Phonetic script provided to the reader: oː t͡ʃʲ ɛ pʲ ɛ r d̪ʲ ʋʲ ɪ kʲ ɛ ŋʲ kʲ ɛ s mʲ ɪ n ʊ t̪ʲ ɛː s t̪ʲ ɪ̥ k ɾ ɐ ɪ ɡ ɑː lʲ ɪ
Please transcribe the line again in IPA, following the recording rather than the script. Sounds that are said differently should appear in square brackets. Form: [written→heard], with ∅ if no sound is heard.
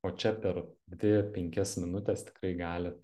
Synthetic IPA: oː t͡ʃʲ ɛ pʲ ɛ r d̪ʲ ʋʲ ɪ [kʲ→pʲ] ɛ ŋʲ kʲ ɛ s mʲ ɪ n ʊ t̪ʲ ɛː s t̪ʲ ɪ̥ k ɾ ɐ ɪ ɡ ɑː lʲ ɪ